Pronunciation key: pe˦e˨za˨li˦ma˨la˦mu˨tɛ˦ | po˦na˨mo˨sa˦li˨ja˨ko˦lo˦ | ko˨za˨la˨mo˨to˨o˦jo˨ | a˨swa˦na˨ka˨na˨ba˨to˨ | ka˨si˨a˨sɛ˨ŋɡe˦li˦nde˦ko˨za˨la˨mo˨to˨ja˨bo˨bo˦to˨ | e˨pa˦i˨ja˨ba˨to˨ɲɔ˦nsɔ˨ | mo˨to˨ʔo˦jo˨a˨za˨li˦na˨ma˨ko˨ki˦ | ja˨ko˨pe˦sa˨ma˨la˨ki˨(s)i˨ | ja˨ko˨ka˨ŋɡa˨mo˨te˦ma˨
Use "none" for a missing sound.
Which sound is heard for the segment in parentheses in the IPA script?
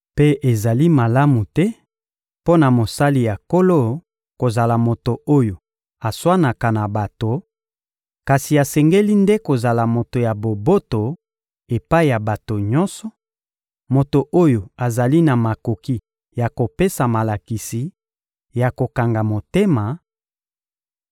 s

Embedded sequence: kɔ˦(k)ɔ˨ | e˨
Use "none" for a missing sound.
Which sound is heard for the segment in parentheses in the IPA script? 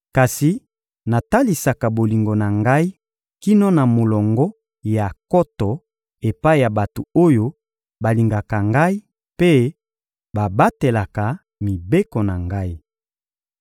t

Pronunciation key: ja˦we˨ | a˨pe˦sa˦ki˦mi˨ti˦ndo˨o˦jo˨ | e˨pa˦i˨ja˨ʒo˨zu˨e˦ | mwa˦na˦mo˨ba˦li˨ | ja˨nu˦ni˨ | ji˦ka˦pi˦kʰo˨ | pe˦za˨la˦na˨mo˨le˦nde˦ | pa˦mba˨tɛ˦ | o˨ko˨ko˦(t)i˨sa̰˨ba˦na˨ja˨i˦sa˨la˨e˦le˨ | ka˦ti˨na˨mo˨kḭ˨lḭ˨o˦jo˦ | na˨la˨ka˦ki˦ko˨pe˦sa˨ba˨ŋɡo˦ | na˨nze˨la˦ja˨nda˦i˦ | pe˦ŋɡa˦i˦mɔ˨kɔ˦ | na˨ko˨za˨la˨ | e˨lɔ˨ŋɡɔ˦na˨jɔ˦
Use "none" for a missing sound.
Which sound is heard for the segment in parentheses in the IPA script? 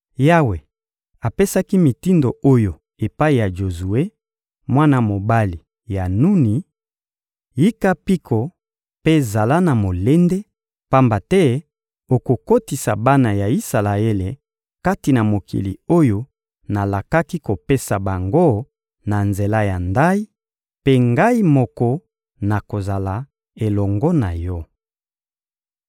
t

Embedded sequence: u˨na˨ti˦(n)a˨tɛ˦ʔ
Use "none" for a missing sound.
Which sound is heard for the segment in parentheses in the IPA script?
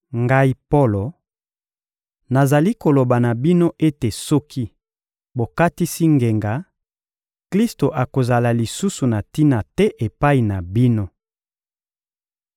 n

